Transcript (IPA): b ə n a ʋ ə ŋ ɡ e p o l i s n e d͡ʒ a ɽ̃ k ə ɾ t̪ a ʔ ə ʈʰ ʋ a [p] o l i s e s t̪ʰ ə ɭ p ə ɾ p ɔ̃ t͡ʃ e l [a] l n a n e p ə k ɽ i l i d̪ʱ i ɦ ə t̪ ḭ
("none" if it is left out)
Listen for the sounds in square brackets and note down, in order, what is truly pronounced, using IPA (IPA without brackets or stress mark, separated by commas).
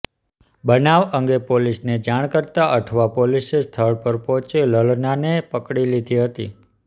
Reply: p, ə